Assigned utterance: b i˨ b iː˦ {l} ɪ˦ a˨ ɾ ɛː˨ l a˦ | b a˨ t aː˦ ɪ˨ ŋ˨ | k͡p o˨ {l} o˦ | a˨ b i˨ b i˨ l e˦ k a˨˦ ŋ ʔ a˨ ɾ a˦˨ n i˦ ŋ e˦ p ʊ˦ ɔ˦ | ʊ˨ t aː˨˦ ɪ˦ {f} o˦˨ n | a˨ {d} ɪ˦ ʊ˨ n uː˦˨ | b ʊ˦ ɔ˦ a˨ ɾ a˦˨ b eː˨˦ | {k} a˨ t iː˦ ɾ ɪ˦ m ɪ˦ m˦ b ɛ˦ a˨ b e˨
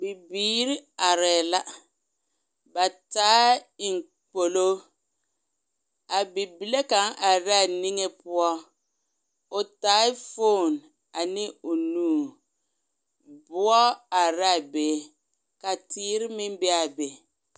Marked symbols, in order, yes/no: no, yes, yes, no, yes

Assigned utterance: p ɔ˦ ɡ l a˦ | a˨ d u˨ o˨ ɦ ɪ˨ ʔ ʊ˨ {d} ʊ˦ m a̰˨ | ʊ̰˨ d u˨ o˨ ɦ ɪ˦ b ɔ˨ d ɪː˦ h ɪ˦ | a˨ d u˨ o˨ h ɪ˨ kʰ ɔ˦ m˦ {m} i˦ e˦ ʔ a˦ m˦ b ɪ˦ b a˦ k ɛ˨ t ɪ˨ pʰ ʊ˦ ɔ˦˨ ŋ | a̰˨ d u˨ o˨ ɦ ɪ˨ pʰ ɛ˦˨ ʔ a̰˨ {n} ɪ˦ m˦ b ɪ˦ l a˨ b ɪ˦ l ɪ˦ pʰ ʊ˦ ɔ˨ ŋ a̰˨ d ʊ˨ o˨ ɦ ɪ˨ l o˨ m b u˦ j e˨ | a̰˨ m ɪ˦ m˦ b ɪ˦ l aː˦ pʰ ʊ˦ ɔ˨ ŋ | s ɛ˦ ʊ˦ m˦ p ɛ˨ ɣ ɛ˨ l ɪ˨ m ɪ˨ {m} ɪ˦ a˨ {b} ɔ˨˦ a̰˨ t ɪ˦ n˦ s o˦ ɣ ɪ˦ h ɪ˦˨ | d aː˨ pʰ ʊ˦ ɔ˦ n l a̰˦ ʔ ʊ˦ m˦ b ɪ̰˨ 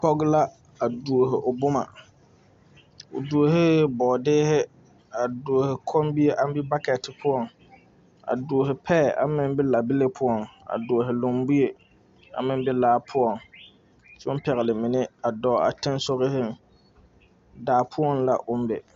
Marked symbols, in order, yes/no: no, no, no, no, no

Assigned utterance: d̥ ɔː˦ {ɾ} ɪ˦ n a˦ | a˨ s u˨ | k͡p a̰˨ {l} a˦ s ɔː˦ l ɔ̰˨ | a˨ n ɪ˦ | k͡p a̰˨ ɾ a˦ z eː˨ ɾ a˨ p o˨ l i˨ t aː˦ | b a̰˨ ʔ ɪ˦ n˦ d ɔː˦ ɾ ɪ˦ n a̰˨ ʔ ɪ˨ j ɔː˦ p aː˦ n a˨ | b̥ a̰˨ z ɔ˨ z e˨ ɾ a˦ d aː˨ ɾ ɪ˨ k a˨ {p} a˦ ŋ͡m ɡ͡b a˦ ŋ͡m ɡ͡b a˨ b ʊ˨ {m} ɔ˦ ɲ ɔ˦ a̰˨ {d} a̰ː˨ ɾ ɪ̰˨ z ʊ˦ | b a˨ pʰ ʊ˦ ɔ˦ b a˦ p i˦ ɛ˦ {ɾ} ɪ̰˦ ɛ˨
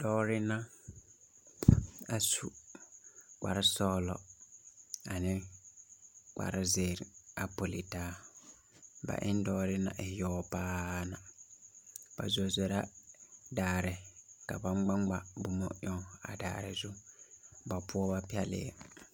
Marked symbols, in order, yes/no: yes, no, no, yes, yes, no

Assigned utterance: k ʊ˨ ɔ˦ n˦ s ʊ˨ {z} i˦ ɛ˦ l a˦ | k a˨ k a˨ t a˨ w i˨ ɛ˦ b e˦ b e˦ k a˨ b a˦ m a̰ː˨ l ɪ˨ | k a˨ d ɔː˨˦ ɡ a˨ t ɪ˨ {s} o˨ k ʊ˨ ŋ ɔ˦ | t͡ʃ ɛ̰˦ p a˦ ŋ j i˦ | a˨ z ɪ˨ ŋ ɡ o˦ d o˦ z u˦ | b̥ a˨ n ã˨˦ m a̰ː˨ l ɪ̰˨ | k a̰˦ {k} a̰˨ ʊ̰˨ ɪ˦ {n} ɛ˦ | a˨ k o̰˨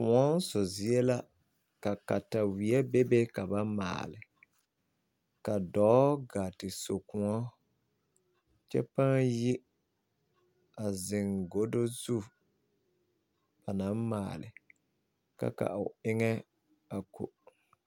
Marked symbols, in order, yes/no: yes, yes, yes, no

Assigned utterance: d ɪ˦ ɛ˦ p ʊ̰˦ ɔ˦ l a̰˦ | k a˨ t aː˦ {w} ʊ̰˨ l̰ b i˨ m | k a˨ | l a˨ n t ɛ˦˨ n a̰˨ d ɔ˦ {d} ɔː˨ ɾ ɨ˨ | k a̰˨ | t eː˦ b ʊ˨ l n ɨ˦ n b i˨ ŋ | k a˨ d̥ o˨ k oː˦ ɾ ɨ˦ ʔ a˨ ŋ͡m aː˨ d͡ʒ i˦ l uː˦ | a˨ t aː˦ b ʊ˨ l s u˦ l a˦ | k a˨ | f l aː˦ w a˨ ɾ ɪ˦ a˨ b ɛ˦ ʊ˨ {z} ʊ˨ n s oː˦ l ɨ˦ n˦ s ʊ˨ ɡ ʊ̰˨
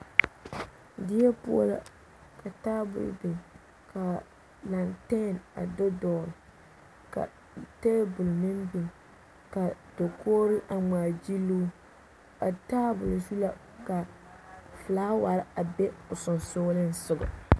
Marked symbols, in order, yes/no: no, yes, no

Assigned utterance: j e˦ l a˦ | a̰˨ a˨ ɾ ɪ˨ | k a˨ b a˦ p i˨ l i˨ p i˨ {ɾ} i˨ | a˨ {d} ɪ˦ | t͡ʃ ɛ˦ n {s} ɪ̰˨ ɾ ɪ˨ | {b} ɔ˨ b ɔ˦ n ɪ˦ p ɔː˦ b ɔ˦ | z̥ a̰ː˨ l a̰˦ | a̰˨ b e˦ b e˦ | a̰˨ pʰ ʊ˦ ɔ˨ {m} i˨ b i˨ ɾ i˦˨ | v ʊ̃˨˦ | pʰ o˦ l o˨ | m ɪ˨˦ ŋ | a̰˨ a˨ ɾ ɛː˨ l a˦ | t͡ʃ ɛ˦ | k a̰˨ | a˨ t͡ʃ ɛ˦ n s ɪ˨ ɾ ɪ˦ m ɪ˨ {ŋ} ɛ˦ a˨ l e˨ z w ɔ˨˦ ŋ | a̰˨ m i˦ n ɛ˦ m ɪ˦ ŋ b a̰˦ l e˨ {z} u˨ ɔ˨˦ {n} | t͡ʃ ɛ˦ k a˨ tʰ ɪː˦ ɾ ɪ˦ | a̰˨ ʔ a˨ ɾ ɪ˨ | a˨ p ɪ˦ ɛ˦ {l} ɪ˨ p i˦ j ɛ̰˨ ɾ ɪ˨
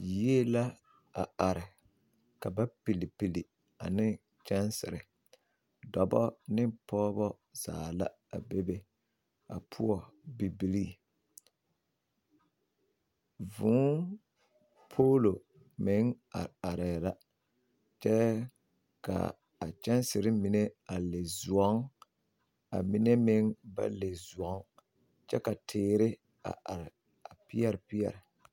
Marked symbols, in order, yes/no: no, no, yes, no, no, no, yes, no, no

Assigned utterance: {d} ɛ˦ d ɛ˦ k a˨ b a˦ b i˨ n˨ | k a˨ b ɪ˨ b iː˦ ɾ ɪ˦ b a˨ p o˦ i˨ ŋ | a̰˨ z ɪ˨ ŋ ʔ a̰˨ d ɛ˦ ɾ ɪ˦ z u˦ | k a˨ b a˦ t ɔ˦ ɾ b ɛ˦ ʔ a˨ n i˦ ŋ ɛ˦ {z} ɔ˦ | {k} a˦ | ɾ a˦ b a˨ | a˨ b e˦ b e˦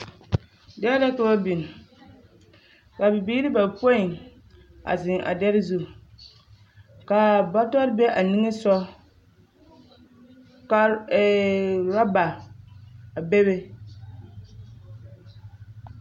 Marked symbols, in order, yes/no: yes, no, yes

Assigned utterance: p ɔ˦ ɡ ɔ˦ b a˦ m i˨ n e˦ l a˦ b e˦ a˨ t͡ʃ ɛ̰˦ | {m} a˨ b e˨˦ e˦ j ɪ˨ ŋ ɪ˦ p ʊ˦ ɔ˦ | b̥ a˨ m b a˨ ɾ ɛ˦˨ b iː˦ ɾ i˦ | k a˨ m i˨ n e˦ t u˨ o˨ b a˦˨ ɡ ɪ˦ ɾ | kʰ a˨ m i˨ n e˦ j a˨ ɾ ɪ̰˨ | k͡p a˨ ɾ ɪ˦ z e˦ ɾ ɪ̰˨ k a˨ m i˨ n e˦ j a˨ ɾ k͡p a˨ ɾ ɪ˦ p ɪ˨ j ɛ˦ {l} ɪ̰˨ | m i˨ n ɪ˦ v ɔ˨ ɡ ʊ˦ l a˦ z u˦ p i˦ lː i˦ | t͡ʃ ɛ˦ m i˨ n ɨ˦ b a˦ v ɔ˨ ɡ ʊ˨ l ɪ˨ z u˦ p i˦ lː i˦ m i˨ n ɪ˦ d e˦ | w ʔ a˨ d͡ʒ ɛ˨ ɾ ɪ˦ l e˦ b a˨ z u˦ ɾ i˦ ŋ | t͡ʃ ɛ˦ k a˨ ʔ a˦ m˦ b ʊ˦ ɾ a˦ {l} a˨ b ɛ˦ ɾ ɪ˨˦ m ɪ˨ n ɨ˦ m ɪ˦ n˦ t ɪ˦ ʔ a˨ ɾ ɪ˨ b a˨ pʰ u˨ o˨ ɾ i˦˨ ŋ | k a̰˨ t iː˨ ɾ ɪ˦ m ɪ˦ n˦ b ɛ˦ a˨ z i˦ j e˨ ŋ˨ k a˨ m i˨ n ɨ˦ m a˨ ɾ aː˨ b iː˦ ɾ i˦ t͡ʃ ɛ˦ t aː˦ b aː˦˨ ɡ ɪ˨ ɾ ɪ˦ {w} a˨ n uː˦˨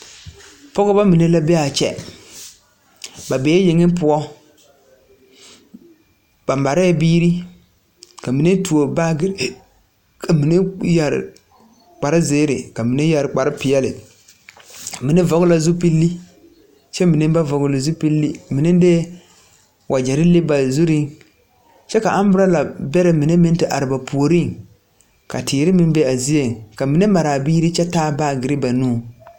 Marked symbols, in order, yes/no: no, yes, yes, no

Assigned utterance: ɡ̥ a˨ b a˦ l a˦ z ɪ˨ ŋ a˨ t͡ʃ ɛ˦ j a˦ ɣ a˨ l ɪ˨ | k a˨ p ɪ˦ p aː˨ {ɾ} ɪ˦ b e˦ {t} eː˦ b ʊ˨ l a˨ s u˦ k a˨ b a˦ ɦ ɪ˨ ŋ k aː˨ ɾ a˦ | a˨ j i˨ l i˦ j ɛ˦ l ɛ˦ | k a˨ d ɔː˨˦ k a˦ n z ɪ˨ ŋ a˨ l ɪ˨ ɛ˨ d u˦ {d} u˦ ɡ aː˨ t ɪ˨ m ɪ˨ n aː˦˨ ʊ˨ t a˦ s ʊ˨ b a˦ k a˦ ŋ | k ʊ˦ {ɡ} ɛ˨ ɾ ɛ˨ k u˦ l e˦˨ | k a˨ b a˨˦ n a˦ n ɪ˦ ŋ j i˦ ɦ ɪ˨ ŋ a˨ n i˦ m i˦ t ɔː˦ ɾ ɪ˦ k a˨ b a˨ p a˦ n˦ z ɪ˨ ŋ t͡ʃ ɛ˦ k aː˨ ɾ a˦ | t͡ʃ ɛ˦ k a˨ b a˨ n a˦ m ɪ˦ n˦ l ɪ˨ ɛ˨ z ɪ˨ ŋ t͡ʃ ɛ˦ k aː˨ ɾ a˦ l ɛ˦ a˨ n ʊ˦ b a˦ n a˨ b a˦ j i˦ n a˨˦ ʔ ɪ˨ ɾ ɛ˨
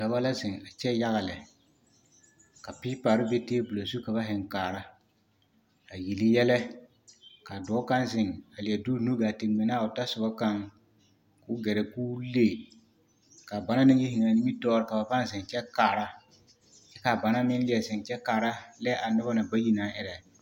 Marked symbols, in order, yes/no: yes, yes, no, yes

